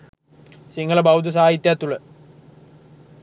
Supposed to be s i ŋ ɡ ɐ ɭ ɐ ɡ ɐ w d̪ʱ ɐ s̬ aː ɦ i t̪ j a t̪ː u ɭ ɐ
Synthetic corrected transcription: s i ŋ ɡ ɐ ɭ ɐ b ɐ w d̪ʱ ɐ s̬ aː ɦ i t̪ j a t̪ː u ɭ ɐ